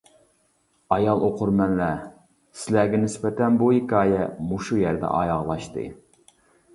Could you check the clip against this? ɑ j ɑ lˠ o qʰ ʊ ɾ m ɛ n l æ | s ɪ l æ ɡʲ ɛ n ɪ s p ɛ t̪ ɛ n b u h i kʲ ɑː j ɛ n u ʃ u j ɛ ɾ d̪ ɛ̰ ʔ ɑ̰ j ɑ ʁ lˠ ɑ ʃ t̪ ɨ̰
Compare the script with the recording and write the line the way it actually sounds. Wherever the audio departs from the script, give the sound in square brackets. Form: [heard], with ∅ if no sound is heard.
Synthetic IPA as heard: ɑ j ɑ lˠ o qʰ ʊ ɾ m ɛ n l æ | s ɪ l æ ɡʲ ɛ n ɪ s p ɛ t̪ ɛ n b u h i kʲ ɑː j ɛ [m] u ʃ u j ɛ ɾ d̪ ɛ̰ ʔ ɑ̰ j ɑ ʁ lˠ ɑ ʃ t̪ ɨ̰